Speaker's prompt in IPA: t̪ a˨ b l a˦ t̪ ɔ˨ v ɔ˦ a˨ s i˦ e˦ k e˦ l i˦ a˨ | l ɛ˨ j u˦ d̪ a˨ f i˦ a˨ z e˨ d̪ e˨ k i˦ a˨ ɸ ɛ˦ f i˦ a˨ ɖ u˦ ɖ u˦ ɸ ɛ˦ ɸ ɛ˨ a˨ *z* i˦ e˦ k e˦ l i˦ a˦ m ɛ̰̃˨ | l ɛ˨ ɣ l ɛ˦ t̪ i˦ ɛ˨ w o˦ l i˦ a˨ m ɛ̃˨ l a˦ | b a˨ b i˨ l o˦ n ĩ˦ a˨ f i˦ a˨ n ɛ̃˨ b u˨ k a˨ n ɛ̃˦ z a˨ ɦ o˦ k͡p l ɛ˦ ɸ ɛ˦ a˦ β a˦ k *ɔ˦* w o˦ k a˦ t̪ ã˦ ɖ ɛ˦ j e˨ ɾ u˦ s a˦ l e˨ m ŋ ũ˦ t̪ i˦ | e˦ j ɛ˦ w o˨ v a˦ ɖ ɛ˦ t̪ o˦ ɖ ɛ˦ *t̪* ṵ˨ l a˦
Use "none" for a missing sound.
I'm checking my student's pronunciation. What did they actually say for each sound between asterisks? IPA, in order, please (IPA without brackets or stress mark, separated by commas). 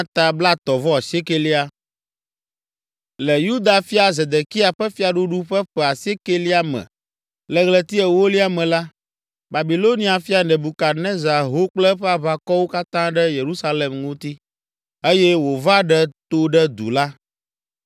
s, ɔ˦, d̪